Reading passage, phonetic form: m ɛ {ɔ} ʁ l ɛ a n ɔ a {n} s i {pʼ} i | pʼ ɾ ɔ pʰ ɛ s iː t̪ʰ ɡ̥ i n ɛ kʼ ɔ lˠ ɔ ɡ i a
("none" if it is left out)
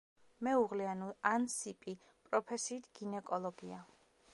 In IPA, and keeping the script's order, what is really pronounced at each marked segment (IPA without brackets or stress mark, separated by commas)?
u, n, pʼ